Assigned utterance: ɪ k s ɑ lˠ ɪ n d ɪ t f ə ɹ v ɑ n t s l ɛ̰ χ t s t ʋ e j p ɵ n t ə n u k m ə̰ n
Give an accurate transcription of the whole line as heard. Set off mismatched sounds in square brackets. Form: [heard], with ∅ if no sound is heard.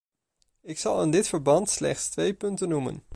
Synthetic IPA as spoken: ɪ k s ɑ lˠ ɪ n d ɪ t f ə ɹ [b] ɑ n t s l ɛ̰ χ t s t ʋ e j p ɵ n t ə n u [∅] m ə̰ n